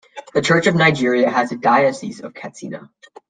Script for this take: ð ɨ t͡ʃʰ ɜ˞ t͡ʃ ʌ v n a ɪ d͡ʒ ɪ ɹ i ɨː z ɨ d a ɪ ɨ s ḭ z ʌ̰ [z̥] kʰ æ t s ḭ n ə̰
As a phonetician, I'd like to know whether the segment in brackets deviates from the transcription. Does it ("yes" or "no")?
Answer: yes